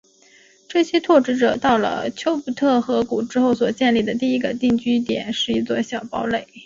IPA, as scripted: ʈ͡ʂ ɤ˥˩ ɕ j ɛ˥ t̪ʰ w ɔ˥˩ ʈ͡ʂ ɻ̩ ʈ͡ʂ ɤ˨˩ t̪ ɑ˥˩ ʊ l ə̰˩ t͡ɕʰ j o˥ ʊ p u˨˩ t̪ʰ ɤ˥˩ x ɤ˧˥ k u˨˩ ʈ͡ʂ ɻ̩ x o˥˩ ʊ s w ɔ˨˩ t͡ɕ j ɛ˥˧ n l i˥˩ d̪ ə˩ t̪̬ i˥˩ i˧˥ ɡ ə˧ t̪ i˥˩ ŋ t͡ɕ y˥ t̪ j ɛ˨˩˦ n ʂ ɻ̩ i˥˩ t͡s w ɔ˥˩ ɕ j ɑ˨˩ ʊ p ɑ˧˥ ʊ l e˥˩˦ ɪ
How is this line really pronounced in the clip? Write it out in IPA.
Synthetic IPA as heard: ʈ͡ʂ ɤ˥˩ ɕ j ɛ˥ t̪ʰ w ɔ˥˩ ʈ͡ʂ ɻ̩ ʈ͡ʂ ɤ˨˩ t̪ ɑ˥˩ ʊ l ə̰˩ t͡ɕʰ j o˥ ʊ p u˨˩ t̪ʰ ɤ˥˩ x ɤ˧˥ k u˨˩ ʈ͡ʂ ɻ̩ x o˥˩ ʊ s w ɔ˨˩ t͡ɕ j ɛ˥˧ n l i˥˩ d̪ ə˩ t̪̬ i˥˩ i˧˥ ɡ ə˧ t̪ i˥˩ ŋ t͡ɕ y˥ t̪ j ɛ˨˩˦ n ʂ ɻ̩ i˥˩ t͡s w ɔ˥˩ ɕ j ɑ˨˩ ʊ p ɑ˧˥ ʊ l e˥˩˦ ɪ